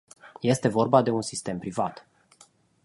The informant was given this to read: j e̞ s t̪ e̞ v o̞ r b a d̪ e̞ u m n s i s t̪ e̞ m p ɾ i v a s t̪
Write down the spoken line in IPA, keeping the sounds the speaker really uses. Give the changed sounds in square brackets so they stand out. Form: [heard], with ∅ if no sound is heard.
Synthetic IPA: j e̞ s t̪ e̞ v o̞ r b a d̪ e̞ u [∅] n s i s t̪ e̞ m p ɾ i v a [∅] t̪